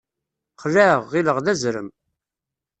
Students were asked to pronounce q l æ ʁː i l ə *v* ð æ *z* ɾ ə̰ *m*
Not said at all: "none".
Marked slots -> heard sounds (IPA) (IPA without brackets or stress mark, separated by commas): ʁ, z, m